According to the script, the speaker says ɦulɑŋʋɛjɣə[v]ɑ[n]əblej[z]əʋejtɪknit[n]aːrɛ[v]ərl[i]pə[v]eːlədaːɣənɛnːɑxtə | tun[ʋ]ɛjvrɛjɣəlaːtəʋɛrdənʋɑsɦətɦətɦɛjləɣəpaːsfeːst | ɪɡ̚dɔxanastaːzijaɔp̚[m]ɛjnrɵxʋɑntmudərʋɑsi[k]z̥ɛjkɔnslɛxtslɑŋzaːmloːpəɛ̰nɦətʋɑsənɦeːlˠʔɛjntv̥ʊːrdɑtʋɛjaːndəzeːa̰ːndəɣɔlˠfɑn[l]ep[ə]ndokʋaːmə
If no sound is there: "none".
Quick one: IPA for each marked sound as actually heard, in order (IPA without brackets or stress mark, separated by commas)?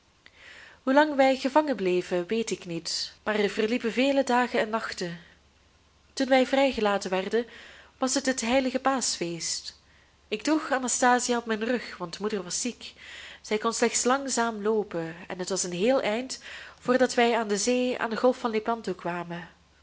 v, ŋ, v, m, v, i, v, ʋ, m, k, l, ɑ